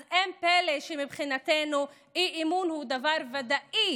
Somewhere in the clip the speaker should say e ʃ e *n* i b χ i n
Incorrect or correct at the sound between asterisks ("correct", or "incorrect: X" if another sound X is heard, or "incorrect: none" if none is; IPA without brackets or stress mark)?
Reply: incorrect: m